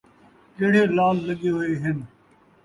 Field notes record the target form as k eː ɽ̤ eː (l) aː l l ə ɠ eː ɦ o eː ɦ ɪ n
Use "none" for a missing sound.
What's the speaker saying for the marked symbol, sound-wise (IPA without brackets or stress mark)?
l